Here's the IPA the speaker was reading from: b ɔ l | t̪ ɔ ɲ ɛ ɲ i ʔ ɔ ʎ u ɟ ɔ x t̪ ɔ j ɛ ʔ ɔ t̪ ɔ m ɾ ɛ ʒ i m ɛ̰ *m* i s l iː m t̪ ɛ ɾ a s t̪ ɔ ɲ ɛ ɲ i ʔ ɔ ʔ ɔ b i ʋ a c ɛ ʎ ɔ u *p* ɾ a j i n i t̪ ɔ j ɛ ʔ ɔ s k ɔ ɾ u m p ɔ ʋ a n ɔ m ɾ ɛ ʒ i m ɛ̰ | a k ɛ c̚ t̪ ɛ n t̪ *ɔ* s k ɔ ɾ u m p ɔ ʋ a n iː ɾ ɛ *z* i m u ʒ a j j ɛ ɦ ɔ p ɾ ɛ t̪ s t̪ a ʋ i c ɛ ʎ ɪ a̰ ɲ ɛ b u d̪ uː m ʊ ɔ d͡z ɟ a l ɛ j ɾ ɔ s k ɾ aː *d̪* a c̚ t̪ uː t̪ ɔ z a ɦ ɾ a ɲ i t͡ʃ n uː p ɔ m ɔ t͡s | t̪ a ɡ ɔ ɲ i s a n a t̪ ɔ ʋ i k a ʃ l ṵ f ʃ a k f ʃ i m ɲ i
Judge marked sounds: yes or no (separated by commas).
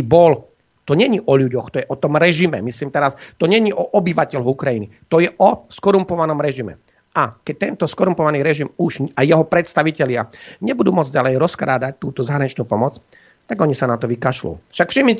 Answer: yes, no, yes, no, yes